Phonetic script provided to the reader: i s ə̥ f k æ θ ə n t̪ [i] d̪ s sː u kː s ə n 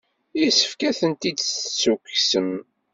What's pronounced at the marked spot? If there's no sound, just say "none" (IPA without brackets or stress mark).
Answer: i